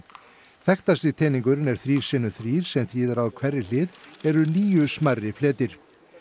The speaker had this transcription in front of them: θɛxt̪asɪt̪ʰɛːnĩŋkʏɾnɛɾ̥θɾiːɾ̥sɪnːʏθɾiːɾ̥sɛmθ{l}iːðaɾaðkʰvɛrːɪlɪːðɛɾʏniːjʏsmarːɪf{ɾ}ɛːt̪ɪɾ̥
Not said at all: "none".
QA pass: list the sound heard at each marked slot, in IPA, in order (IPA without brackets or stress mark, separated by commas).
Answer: ɾ, l